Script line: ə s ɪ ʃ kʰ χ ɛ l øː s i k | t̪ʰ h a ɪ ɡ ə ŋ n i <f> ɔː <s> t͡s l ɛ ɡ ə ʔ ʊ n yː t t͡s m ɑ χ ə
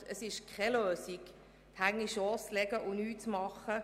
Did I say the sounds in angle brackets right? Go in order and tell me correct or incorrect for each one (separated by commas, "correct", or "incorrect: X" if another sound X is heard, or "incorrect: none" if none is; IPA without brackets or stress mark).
incorrect: ʃ, correct